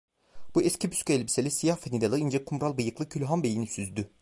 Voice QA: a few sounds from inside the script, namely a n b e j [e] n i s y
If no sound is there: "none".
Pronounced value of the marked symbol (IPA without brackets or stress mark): i